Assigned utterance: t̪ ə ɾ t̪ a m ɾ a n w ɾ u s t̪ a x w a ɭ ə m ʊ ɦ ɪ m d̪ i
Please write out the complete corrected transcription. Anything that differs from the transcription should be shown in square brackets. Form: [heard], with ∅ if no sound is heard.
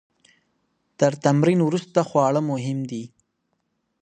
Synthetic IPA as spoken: t̪ ə ɾ t̪ a m ɾ [i] n w ɾ u s t̪ a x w [ɑ] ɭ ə m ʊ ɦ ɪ m d̪ i